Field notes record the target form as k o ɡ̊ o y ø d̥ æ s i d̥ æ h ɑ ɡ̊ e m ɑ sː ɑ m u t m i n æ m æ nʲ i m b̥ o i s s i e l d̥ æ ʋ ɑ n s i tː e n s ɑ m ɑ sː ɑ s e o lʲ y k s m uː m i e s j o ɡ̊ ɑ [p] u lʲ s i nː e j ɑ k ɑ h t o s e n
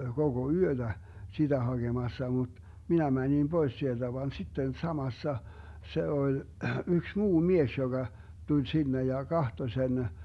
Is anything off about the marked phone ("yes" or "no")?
yes